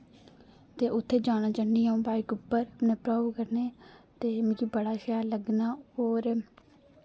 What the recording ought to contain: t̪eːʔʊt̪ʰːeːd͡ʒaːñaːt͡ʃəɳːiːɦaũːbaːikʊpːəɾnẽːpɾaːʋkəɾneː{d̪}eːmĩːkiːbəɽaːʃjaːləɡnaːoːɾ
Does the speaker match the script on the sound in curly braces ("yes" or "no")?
no